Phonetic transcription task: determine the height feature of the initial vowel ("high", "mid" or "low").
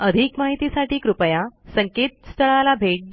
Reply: mid